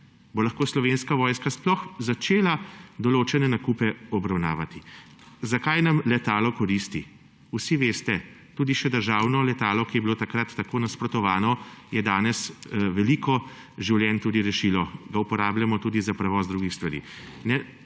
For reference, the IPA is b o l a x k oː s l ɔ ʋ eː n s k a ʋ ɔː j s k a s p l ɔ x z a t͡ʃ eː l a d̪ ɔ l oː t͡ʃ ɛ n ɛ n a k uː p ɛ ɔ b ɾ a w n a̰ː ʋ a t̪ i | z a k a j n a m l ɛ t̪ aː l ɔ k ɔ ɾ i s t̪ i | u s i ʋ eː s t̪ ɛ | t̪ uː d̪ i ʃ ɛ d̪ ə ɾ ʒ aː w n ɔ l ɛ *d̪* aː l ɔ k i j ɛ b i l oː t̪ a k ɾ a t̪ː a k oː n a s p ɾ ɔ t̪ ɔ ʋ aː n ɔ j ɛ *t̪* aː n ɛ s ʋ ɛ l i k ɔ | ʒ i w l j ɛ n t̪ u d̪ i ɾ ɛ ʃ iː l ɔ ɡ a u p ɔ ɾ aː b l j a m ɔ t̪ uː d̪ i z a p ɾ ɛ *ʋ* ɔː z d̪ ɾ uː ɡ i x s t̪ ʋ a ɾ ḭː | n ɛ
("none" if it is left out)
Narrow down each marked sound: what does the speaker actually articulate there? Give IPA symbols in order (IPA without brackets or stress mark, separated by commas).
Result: t̪, d̪, ʋ